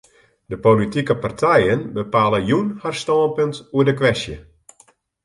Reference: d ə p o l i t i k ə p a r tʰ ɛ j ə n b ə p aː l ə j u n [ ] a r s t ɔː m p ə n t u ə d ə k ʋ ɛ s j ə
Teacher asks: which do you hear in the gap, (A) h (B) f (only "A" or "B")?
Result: A